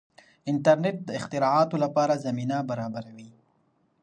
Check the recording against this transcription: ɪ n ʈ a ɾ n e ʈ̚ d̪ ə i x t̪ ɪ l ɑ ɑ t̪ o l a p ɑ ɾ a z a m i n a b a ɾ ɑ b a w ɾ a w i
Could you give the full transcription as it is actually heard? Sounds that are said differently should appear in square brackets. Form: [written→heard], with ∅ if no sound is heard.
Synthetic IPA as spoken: ɪ n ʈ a ɾ n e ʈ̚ d̪ ə [i→ɪ] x t̪ ɪ [l→ɾ] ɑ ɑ t̪ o l a p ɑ ɾ a z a m i n a b a ɾ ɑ b a [w→∅] ɾ a w i